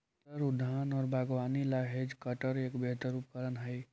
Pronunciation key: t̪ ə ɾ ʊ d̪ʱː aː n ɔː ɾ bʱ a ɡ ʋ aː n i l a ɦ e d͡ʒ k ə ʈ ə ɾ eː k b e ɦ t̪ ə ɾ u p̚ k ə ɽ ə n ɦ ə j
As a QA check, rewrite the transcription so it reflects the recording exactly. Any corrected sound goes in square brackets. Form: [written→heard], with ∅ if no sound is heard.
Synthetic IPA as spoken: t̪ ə ɾ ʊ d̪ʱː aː n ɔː ɾ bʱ a ɡ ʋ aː n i l a ɦ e d͡ʒ k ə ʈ ə ɾ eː k b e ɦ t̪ ə ɾ u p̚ k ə [ɽ→ɾ] ə n ɦ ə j

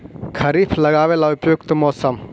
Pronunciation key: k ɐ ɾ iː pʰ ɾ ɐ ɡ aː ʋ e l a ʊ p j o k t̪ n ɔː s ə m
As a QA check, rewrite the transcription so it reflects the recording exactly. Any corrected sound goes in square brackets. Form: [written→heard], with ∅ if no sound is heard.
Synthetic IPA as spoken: [k→kʰ] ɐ ɾ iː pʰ [ɾ→l] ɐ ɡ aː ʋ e l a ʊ p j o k t̪ [n→m] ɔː s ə m

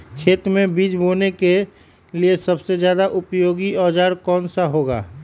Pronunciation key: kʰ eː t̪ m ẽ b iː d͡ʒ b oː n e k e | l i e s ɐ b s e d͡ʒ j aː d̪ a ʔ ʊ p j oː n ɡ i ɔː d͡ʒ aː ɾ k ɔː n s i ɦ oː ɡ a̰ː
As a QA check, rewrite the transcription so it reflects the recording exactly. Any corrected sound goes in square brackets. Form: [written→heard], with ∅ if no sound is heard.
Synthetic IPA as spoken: kʰ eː t̪ m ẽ b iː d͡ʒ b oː n e k e | l i e s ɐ b s e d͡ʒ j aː d̪ a ʔ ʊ p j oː [n→∅] ɡ i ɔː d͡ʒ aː ɾ k ɔː n s [i→a] ɦ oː ɡ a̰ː

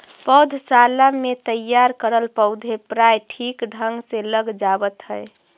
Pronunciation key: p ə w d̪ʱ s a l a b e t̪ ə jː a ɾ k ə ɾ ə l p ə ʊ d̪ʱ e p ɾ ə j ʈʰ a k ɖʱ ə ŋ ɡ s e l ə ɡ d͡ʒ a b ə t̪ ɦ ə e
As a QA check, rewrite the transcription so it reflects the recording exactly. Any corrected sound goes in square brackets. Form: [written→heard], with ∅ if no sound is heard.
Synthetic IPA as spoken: p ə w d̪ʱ s a l a [b→m] e t̪ ə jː a ɾ k ə ɾ ə l p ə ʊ d̪ʱ e p ɾ [ə→a] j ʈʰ [a→i] k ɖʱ ə ŋ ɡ s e l ə ɡ d͡ʒ a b ə t̪ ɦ ə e

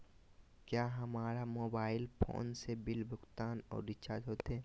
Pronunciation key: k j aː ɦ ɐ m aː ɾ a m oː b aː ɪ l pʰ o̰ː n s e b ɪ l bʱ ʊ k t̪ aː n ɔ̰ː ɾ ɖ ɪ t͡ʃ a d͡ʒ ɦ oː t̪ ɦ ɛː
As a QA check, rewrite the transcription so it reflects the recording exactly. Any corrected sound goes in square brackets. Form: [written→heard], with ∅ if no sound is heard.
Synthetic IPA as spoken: k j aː ɦ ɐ m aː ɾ a m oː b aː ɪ l pʰ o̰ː n s e b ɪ l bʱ ʊ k t̪ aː n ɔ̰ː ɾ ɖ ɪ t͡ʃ a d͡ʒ ɦ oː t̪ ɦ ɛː

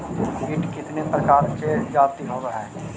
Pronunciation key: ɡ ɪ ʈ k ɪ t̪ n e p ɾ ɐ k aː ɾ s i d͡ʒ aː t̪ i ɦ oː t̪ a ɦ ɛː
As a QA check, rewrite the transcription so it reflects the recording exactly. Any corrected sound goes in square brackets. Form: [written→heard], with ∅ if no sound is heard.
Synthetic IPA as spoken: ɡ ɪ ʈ k ɪ t̪ n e p ɾ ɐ k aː ɾ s [i→e] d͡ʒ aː t̪ i ɦ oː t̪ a ɦ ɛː

